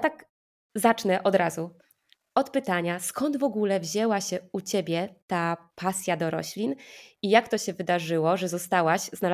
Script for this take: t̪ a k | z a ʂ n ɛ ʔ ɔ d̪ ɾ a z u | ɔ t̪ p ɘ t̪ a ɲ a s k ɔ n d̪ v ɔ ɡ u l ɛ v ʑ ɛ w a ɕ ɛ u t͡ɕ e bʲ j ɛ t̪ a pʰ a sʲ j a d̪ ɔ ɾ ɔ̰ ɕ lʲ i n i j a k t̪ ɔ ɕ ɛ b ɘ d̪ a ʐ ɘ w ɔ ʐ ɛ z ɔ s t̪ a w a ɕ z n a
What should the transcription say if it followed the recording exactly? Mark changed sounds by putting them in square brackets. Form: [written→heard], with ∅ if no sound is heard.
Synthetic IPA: t̪ a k | z a [ʂ→t͡ʂ] n ɛ ʔ ɔ d̪ ɾ a z u | ɔ t̪ p ɘ t̪ a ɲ a s k ɔ n d̪ v ɔ ɡ u l ɛ v ʑ ɛ w a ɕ ɛ u t͡ɕ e bʲ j ɛ t̪ a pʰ a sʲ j a d̪ ɔ ɾ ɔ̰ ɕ lʲ i n i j a k t̪ ɔ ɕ ɛ [b→v] ɘ d̪ a ʐ ɘ w ɔ ʐ ɛ z ɔ s t̪ a w a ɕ z n a